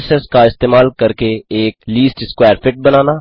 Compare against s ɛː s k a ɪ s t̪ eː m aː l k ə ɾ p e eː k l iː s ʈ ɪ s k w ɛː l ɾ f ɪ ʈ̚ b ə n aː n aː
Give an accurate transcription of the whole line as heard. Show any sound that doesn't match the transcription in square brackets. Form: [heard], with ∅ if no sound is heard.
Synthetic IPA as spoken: s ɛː s k a ɪ s t̪ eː m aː l k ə ɾ [k] e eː k l iː s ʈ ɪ s k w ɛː [∅] ɾ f ɪ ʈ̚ b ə n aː n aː